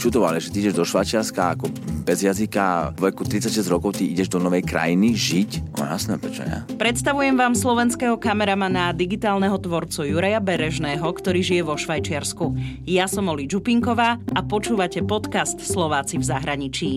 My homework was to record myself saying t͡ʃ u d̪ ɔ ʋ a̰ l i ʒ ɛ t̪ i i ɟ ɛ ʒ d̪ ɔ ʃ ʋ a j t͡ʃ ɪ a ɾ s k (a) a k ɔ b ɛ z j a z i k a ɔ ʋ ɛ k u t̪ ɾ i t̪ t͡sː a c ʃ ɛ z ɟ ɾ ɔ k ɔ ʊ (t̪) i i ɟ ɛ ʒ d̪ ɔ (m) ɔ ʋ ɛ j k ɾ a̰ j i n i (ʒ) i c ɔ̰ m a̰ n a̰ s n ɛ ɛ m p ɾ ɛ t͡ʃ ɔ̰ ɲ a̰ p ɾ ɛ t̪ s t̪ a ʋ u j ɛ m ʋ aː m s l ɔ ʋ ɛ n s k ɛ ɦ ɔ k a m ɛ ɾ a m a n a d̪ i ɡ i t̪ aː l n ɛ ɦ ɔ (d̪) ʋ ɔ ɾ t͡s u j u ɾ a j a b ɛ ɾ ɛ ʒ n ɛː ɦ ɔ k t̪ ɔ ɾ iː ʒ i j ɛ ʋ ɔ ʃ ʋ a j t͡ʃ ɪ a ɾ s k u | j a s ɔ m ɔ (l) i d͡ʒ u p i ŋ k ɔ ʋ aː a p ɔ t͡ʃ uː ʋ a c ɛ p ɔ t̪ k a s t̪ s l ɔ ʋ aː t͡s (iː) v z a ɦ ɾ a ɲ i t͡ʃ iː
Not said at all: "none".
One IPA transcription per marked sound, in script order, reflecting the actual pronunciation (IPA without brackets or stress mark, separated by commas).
a, t̪, n, ʒ, t̪, l, i